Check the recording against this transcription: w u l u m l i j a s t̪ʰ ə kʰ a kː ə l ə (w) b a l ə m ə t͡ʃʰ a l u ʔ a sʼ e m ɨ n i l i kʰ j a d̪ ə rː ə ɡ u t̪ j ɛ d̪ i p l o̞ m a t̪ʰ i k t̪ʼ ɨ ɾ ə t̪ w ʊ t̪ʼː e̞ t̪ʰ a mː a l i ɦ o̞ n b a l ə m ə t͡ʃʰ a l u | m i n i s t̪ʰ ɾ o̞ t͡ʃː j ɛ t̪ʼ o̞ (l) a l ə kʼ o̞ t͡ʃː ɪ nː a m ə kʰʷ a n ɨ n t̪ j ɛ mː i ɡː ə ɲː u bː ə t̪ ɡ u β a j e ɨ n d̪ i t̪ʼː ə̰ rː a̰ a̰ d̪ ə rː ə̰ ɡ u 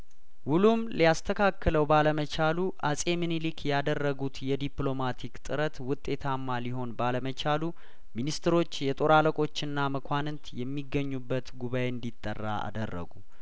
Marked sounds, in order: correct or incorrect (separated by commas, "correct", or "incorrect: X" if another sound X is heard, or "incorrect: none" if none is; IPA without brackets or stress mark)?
correct, incorrect: ɾ